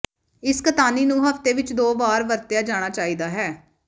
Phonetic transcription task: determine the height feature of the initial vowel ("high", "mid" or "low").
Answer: high